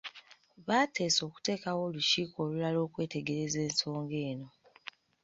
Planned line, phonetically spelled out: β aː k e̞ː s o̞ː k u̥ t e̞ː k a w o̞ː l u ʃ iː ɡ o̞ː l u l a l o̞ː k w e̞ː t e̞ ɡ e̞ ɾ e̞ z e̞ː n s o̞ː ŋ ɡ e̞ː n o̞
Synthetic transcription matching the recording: β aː t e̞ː s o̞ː k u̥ t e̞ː k a w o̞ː l u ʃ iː k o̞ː l u l a l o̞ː k w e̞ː t e̞ ɡ e̞ ɾ e̞ z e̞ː n s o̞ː ŋ ɡ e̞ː n o̞